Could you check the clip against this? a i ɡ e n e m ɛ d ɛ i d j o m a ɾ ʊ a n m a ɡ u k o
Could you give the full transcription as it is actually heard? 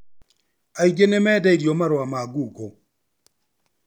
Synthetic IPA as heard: a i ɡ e n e m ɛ d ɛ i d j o m a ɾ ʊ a m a ɡ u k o